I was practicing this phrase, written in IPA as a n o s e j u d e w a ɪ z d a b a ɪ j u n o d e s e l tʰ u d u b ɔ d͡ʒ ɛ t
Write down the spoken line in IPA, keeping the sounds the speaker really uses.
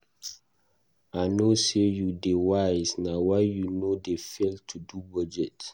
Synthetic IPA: a n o s e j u d e w a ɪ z n a w a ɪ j u n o d e f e l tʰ u d u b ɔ d͡ʒ ɛ t